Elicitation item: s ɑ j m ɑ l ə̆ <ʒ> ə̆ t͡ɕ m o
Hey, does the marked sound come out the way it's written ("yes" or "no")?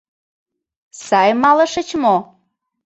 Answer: no